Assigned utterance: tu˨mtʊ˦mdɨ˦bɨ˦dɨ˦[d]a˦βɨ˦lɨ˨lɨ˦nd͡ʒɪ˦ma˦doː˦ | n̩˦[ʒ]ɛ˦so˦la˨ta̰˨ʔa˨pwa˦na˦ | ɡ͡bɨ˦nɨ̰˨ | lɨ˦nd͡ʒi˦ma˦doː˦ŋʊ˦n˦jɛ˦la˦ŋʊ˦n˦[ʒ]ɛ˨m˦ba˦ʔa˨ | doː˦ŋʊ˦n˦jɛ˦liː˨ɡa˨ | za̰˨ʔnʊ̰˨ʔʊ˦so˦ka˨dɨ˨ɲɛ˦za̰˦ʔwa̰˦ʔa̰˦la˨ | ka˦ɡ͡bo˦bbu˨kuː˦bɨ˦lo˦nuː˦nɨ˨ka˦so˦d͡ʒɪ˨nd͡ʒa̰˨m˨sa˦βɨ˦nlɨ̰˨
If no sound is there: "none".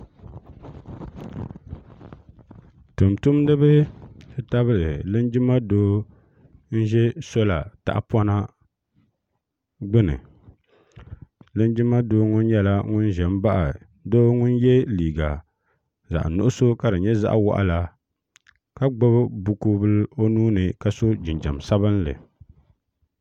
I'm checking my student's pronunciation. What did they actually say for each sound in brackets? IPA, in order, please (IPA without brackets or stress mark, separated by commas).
t, ʒ, ʒ